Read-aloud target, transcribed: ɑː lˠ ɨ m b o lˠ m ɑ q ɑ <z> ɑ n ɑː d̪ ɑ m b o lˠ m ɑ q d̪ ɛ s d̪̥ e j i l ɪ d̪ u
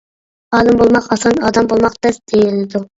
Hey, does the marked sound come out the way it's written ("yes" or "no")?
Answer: no